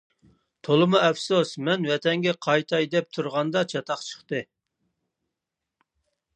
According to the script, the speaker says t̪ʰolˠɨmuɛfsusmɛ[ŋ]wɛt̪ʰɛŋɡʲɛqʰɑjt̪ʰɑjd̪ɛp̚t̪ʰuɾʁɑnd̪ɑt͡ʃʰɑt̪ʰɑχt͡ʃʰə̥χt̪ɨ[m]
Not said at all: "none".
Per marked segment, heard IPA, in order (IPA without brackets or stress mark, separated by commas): n, none